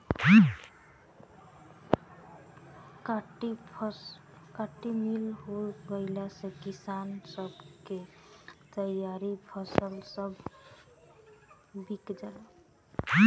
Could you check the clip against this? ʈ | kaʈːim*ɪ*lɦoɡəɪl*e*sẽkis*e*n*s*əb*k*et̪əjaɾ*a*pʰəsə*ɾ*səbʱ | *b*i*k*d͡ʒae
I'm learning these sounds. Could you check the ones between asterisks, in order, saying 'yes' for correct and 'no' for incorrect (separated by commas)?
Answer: no, no, no, yes, yes, no, no, yes, yes